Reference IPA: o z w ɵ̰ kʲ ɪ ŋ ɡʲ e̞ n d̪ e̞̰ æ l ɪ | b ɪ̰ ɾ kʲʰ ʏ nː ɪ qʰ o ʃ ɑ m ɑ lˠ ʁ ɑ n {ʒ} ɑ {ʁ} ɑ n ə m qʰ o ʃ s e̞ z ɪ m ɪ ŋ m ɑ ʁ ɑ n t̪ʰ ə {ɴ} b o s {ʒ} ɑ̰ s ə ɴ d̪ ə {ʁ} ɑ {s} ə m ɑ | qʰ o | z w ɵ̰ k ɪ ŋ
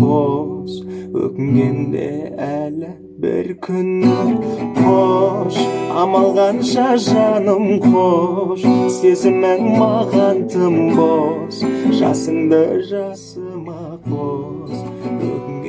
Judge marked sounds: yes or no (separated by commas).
no, no, no, yes, no, yes